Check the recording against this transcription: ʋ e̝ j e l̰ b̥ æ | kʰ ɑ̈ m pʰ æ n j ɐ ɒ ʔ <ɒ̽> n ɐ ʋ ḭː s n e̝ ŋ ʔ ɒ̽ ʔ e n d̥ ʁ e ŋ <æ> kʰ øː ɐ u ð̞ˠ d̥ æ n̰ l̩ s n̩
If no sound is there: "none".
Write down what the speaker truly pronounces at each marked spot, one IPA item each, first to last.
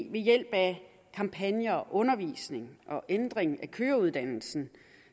ɔ̽, æ

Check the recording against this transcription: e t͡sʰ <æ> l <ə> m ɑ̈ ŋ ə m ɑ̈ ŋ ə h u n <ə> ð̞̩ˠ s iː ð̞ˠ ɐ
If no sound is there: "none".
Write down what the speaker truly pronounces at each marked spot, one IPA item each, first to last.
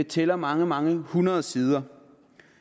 e, ɐ, ɐ

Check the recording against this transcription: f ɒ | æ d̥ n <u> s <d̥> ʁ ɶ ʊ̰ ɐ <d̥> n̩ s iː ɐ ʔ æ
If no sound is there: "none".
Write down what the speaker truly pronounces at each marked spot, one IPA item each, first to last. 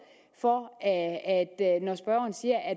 ɒ, b̥, none

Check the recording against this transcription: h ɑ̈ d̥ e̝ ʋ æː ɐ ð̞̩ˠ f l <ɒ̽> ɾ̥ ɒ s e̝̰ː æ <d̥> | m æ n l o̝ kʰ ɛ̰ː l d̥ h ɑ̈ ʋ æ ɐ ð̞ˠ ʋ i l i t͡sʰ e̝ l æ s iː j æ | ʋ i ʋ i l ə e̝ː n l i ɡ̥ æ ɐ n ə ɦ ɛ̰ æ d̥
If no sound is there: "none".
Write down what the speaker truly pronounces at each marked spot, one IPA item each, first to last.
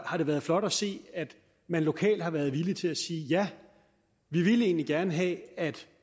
ɒ̽, d̥

